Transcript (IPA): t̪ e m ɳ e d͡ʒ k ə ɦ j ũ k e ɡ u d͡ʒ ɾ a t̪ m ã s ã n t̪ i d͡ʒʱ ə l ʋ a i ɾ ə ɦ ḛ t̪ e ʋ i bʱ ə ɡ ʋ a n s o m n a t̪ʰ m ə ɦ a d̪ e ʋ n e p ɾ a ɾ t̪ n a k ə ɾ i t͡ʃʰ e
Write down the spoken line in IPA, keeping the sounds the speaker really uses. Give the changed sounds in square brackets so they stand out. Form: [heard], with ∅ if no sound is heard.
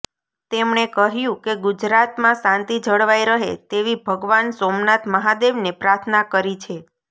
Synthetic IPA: t̪ e m ɳ e [∅] k ə ɦ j ũ k e ɡ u d͡ʒ ɾ a t̪ m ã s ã n t̪ i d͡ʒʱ ə [ɽ] ʋ a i ɾ ə ɦ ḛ t̪ e ʋ i bʱ ə ɡ ʋ a n s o m n a [t̪] m ə ɦ a d̪ e ʋ n e p ɾ a ɾ [t̪ʰ] n a k ə ɾ i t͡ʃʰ e

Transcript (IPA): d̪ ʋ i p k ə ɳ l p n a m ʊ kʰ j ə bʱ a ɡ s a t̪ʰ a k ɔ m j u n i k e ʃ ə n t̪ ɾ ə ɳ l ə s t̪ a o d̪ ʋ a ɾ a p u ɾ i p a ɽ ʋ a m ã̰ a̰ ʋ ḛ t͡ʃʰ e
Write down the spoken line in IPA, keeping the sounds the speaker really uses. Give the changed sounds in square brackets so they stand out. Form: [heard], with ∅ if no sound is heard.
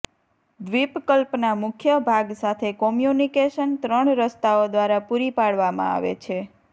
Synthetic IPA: d̪ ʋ i p k ə [∅] l p n a m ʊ kʰ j ə bʱ a ɡ s a t̪ʰ [e] k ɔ m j u n i k e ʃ ə n t̪ ɾ ə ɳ [ɾ] ə s t̪ a o d̪ ʋ a ɾ a p u ɾ i p a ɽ ʋ a m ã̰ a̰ ʋ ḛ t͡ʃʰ e

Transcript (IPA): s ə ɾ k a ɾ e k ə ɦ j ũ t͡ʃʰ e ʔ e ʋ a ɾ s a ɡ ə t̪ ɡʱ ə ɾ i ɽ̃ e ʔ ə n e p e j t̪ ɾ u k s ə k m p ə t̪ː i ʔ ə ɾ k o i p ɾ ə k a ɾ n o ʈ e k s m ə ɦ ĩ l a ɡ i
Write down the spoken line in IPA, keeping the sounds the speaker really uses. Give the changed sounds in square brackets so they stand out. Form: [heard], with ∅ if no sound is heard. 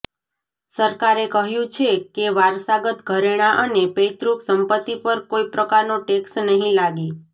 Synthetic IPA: s ə ɾ k a ɾ e k ə ɦ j ũ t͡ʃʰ e [k] e ʋ a ɾ s a ɡ ə t̪ ɡʱ ə ɾ [e] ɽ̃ [a] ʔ ə n e p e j t̪ ɾ u k s ə [∅] m p ə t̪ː i [p] ə ɾ k o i p ɾ ə k a ɾ n o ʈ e k s [n] ə ɦ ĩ l a ɡ i

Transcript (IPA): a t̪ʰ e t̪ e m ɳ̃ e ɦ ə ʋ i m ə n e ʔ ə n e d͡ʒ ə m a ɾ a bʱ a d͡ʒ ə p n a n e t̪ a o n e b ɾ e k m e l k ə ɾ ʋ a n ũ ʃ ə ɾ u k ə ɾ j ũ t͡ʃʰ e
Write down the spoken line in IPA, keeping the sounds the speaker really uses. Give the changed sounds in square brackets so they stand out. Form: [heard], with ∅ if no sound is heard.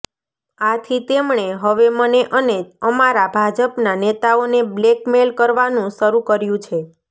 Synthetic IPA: a t̪ʰ [i] t̪ e m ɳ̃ e ɦ ə ʋ [e] m ə n e ʔ ə n e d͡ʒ ə m a ɾ a bʱ a d͡ʒ ə p n a n e t̪ a o n e b [l] e k m e l k ə ɾ ʋ a n ũ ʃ ə ɾ u k ə ɾ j ũ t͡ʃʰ e

